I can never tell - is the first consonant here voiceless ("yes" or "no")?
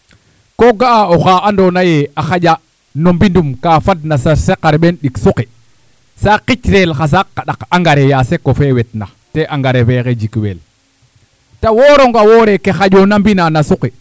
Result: yes